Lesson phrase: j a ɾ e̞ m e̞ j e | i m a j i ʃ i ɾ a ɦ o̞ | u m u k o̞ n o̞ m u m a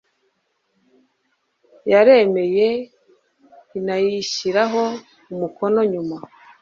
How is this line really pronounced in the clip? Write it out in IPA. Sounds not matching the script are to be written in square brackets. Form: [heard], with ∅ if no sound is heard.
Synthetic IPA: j a ɾ e̞ m e̞ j e | i [n] a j i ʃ i ɾ a ɦ o̞ | u m u k o̞ n o̞ [ɲ] u m a